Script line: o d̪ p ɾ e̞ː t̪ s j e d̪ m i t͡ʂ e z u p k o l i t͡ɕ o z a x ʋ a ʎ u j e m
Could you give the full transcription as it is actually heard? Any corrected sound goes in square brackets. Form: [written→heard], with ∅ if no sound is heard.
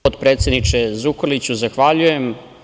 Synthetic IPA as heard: o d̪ p ɾ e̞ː t̪ s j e d̪ [m→n] i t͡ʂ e z u [p→∅] k o l i t͡ɕ [o→u] z a x ʋ a ʎ u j e m